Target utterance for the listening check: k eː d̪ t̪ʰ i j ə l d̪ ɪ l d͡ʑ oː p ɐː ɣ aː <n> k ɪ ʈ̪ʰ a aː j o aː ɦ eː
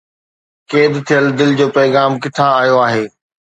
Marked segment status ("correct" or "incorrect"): incorrect